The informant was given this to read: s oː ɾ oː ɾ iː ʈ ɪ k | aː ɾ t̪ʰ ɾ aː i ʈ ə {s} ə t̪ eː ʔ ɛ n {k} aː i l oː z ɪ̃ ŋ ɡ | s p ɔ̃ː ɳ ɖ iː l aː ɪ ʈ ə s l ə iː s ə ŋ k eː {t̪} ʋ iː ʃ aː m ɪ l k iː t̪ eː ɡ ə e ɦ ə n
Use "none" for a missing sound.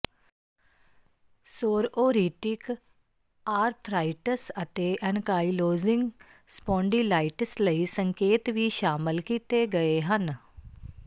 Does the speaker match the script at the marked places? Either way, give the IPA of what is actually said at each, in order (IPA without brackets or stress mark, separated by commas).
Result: s, k, t̪